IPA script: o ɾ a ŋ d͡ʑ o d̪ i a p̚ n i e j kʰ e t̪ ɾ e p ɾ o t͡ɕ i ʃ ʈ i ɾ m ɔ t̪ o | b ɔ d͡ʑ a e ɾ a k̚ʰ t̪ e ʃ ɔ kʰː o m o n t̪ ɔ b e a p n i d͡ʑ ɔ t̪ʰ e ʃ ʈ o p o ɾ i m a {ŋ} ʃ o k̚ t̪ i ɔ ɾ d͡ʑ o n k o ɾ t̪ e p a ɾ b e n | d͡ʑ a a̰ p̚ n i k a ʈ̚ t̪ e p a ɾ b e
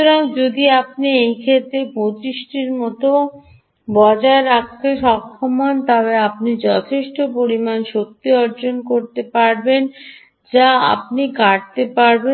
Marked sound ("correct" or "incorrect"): incorrect